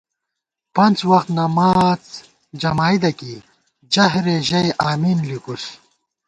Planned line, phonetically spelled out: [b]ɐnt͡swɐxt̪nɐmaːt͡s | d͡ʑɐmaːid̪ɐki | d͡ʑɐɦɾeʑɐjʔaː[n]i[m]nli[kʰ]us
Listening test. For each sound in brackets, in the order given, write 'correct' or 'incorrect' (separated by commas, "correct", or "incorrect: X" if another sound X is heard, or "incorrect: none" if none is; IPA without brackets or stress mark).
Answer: incorrect: p, incorrect: m, incorrect: none, incorrect: k